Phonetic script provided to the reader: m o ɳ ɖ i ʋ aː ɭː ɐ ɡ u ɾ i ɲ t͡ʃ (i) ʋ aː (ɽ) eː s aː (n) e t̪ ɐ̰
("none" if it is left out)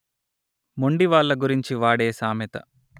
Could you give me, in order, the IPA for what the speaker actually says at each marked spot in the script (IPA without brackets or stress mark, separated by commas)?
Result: i, ɽ, m